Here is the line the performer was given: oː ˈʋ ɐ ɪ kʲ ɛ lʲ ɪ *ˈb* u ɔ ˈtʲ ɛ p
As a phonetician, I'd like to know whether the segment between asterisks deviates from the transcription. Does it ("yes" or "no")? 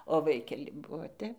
no